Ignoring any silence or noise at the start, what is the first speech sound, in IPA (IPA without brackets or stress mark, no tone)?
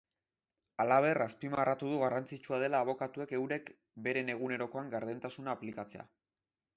a